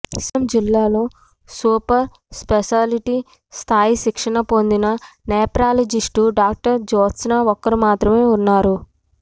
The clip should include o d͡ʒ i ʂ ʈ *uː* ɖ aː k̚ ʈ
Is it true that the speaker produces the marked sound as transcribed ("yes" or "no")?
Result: no